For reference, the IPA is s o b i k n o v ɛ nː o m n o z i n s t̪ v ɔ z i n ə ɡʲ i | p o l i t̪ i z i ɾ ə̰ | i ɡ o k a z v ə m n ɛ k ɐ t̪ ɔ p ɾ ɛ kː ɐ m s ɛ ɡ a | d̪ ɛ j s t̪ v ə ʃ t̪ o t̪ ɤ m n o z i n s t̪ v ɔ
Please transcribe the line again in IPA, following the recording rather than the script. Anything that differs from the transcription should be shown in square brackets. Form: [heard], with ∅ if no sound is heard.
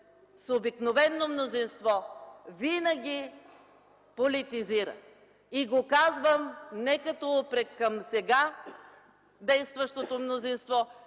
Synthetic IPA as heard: s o b i k n o v ɛ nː o m n o z i n s t̪ v ɔ [v] i n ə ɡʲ i | p o l i t̪ i z i ɾ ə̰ | i ɡ o k a z v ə m n ɛ k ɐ t̪ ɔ p ɾ ɛ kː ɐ m s ɛ ɡ a | d̪ ɛ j s t̪ v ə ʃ t̪ o t̪ [o] m n o z i n s t̪ v ɔ